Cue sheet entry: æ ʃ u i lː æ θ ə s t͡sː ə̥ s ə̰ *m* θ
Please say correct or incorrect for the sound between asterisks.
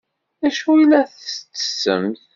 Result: correct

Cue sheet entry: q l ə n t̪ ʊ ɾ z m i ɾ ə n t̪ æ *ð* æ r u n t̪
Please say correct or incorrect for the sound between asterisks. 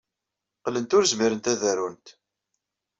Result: correct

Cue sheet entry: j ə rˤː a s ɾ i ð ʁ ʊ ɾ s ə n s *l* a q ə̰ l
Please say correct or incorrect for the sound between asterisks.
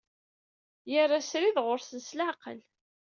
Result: correct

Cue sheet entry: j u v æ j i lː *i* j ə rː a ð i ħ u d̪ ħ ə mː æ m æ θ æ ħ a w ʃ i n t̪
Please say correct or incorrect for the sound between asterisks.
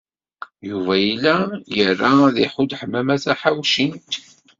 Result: incorrect: æ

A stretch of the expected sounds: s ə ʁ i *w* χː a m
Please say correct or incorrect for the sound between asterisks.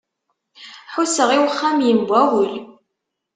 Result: correct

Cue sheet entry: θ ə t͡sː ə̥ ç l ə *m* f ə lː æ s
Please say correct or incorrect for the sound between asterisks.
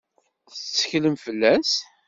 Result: correct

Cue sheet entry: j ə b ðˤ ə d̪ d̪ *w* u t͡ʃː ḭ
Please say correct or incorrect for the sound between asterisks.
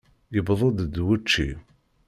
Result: correct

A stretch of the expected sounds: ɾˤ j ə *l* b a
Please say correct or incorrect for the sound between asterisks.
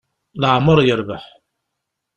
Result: incorrect: ɾ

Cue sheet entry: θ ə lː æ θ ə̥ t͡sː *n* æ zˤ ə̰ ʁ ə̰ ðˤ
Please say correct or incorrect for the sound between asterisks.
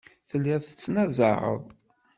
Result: correct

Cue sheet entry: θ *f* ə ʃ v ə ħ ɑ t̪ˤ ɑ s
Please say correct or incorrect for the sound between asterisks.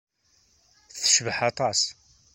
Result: incorrect: θ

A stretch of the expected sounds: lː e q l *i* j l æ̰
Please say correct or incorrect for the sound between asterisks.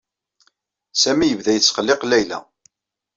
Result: incorrect: æ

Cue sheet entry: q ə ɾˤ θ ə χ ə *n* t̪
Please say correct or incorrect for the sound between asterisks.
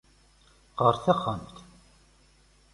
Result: incorrect: m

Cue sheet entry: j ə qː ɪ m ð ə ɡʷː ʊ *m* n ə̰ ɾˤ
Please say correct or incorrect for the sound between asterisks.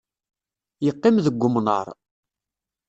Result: correct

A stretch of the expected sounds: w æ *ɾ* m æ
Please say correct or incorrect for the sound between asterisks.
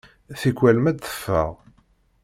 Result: incorrect: l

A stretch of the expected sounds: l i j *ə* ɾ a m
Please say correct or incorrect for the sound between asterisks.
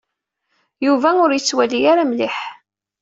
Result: incorrect: a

